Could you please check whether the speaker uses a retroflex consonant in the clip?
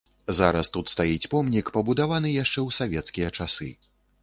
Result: yes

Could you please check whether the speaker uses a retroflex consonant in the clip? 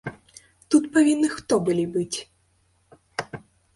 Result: no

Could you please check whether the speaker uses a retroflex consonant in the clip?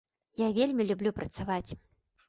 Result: no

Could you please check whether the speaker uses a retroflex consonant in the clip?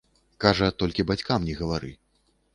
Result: yes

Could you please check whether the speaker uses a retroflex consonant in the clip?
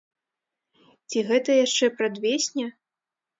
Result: yes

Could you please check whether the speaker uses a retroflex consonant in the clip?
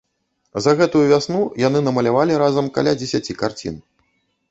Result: no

